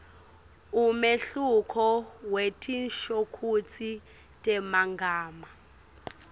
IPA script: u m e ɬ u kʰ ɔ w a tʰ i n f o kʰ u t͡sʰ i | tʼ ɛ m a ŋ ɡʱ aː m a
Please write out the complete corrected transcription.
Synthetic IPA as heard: u m e ɬ u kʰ ɔ w e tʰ i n ʃ o kʰ u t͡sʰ i | tʼ ɛ m a ŋ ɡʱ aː m a